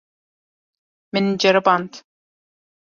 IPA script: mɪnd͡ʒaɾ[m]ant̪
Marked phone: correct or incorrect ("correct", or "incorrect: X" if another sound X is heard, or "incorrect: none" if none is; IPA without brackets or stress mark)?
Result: incorrect: b